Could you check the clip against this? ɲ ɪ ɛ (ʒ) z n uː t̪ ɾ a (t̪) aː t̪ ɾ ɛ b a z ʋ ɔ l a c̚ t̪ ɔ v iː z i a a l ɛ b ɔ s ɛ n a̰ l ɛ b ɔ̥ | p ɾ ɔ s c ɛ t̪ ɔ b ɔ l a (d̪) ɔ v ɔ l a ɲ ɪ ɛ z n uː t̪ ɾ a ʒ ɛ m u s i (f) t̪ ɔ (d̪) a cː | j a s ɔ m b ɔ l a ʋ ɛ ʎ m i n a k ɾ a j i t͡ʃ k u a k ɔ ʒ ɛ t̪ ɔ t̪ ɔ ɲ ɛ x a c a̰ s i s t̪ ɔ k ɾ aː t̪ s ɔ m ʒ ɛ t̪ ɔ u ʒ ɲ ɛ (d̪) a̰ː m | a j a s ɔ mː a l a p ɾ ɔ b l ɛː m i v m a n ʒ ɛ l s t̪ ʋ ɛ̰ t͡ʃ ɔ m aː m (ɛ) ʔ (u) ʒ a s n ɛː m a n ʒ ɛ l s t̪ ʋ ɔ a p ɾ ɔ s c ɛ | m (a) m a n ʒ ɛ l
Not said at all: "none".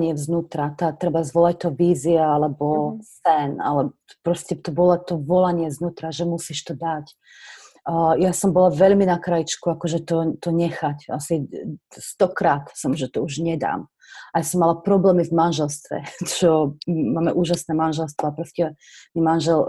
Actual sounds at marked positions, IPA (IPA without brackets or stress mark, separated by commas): v, t̪, t̪, ʃ, d̪, d̪, ɛ, uː, i